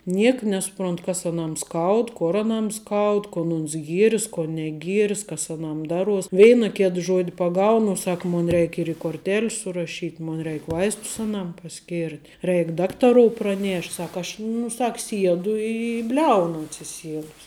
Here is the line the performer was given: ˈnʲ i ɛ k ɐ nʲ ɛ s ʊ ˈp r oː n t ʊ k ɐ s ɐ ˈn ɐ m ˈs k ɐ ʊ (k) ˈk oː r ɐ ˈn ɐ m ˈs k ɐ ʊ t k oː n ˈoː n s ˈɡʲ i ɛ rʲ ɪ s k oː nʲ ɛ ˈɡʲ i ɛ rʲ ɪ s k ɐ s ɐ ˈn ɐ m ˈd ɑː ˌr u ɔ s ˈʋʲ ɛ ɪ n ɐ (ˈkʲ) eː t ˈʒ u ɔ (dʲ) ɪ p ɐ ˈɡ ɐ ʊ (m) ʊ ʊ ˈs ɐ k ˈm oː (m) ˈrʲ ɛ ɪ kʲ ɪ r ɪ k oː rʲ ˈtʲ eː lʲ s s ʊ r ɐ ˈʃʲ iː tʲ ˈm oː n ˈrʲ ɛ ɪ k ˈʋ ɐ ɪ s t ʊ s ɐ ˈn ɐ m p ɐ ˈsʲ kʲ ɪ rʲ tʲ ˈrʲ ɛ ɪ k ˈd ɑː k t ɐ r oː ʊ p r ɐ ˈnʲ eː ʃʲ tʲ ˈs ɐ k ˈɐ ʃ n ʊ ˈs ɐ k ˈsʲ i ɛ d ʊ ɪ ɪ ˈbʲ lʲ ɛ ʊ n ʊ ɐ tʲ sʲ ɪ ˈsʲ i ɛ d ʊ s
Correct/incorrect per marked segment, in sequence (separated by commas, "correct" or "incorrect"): incorrect, correct, correct, incorrect, incorrect